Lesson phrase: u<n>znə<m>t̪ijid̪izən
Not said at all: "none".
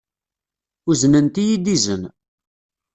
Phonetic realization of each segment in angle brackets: none, n

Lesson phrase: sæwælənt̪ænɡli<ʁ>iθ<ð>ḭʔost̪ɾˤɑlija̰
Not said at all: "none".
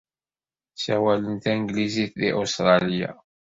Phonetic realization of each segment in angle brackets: z, ð

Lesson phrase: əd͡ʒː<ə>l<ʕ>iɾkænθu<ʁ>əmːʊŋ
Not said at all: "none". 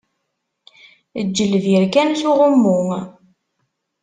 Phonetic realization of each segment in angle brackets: ə, v, ʁ

